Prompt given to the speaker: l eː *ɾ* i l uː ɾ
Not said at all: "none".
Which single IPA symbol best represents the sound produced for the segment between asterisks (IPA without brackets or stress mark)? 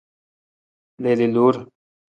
l